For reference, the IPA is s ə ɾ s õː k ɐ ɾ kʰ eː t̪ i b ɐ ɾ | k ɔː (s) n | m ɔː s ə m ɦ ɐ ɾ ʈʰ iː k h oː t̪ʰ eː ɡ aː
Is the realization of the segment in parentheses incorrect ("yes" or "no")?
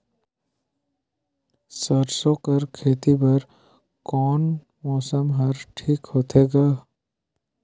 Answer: yes